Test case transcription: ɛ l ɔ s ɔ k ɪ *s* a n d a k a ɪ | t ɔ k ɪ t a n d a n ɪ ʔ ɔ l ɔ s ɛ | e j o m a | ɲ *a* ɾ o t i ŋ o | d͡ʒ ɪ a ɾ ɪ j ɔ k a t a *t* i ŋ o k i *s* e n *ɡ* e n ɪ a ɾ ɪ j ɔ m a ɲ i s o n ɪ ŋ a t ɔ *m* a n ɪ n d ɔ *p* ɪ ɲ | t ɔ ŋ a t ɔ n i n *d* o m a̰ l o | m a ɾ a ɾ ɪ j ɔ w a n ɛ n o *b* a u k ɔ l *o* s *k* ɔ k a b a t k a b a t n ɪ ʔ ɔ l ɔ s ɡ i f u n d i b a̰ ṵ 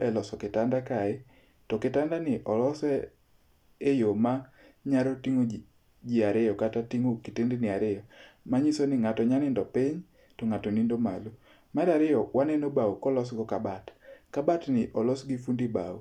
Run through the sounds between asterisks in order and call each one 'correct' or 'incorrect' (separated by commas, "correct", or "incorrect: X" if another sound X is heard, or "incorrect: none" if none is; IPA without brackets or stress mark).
incorrect: t, correct, correct, incorrect: t, incorrect: d, incorrect: ɲ, correct, correct, correct, incorrect: ɔ, incorrect: ɡ